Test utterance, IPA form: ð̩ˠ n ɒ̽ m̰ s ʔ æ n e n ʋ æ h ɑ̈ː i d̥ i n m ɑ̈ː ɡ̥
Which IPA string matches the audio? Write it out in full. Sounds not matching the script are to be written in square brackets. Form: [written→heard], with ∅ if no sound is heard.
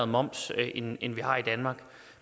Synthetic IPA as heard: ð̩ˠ [n→m] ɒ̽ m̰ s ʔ [æ→e] n e n ʋ [æ→i] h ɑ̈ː i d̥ [i→æ] n m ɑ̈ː ɡ̥